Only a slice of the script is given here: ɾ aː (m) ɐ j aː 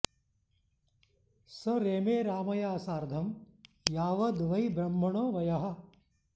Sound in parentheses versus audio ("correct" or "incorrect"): correct